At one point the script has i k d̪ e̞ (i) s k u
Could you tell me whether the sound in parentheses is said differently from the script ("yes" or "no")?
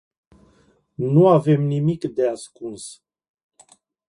yes